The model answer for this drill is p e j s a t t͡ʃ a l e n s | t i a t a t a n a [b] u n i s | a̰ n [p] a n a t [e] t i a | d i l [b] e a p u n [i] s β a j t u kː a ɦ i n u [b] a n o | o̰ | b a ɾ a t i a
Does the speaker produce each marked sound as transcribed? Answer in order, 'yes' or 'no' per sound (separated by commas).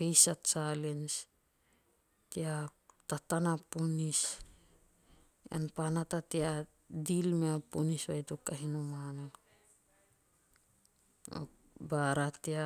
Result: no, yes, no, no, yes, no